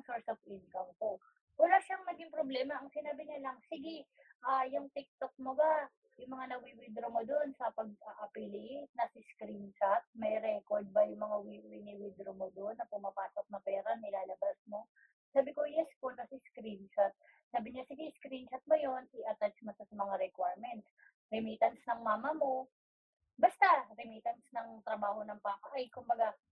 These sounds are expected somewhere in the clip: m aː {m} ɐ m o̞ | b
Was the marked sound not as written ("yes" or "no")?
no